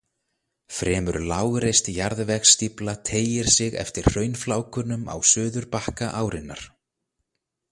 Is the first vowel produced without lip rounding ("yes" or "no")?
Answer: yes